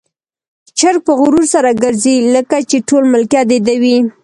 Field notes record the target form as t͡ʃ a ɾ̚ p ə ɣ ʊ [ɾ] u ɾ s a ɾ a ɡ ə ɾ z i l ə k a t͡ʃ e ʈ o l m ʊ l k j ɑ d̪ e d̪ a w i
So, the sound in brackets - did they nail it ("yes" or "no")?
yes